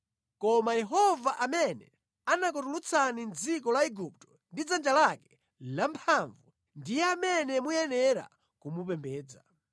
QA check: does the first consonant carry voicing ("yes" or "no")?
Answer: no